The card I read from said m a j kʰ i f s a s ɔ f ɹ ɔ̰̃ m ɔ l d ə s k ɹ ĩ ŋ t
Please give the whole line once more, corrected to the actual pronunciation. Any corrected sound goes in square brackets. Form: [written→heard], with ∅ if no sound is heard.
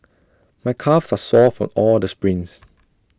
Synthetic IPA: m a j kʰ [i→a] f s a s ɔ f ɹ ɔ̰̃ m ɔ l d ə s [k→p] ɹ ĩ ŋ [t→s]